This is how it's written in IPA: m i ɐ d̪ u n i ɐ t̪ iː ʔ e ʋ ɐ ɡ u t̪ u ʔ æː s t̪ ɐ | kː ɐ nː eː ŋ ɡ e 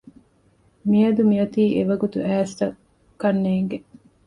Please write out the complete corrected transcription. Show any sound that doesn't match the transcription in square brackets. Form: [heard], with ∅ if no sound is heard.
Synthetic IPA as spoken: m i ɐ d̪ u [m] i ɐ t̪ iː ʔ e ʋ ɐ ɡ u t̪ u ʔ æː s t̪ ɐ | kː ɐ nː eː ŋ ɡ e